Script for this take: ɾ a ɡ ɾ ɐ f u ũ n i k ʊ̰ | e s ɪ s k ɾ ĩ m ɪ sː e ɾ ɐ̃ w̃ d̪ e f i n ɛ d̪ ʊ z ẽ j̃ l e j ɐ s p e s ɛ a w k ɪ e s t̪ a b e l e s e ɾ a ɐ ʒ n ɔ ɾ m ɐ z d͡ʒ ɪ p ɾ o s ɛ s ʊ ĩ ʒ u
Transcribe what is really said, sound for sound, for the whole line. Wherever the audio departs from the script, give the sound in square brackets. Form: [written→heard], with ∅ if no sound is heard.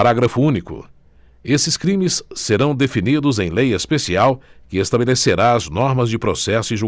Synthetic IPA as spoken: ɾ a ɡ ɾ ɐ f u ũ n i k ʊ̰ | e s ɪ s k ɾ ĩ m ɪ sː e ɾ ɐ̃ w̃ d̪ e f i n [ɛ→i] d̪ ʊ z ẽ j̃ l e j ɐ s p e s [ɛ→i] a w k ɪ e s t̪ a b e l e s e ɾ a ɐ [ʒ→z] n ɔ ɾ m ɐ z d͡ʒ ɪ p ɾ o s ɛ s ʊ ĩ ʒ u